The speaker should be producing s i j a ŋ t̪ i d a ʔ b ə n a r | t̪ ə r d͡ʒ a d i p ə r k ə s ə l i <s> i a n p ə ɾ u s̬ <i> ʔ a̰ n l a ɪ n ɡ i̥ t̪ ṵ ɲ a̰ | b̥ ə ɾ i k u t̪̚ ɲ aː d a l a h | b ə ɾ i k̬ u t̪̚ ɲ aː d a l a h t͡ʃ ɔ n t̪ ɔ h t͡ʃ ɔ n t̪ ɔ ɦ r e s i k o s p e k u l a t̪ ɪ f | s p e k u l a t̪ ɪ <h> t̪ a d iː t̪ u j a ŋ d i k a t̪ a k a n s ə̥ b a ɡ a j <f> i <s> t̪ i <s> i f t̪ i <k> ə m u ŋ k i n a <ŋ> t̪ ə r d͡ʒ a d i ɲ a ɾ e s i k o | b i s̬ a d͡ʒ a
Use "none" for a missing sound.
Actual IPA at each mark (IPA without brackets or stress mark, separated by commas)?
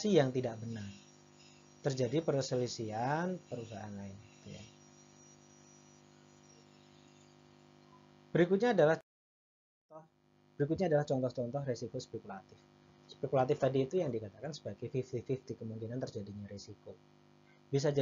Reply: s, a, f, f, f, f, k, n